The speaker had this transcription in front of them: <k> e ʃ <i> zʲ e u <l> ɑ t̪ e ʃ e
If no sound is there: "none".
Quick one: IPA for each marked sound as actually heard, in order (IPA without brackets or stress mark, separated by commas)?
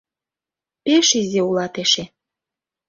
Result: p, i, l